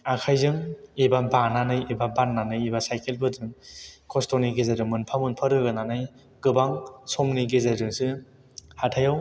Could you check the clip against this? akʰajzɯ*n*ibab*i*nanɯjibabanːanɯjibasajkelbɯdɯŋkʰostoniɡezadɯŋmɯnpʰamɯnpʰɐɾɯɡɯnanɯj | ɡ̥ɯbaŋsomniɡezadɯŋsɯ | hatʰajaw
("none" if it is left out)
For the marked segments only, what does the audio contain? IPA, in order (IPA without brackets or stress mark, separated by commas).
ŋ, a